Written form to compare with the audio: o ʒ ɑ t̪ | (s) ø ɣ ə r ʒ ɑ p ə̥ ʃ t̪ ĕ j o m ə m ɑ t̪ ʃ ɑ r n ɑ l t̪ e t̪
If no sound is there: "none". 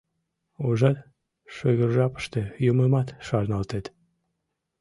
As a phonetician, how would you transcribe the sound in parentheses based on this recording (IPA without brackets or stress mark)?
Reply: ʃ